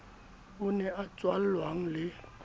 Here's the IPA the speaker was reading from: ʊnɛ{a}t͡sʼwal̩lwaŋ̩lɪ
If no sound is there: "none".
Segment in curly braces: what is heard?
a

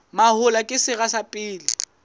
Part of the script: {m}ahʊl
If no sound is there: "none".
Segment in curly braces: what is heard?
m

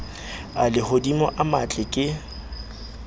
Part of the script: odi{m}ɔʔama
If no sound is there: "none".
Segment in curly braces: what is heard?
m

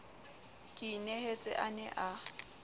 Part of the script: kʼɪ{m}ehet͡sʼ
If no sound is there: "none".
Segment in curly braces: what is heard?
n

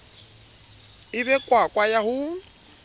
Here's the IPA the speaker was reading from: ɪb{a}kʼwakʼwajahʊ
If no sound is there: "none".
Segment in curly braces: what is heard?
ɛ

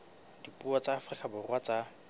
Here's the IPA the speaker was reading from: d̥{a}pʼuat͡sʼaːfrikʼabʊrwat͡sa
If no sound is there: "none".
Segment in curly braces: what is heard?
i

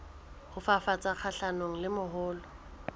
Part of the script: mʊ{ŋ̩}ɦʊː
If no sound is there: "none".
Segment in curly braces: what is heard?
none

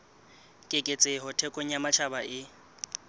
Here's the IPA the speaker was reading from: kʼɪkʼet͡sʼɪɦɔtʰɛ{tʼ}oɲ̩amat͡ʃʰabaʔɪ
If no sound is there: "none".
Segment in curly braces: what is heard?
kʼ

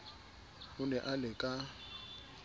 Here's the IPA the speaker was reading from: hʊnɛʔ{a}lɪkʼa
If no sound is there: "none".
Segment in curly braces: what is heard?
a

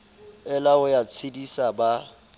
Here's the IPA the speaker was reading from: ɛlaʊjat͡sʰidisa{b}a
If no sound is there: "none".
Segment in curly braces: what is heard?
b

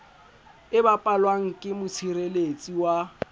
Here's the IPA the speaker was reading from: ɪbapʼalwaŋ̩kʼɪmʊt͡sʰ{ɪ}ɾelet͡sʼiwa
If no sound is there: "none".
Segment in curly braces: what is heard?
i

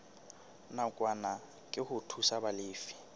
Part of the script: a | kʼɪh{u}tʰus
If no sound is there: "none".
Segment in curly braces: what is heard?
ʊ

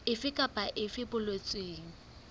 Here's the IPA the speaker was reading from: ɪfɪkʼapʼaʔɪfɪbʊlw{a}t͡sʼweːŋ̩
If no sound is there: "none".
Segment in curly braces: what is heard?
e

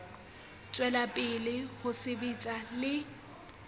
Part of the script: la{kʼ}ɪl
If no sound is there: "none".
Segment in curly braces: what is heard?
pʼ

